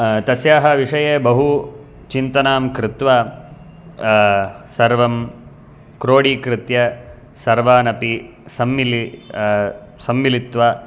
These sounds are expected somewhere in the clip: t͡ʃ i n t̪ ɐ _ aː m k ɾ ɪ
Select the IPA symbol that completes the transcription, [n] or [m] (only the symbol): n